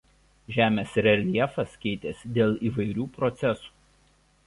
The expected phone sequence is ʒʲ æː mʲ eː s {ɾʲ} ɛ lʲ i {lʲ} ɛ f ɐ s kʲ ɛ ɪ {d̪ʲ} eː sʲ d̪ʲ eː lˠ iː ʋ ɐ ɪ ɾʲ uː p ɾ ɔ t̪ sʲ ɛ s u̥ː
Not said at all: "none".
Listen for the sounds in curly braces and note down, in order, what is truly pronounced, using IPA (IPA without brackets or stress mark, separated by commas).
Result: ɾʲ, none, t̪ʲ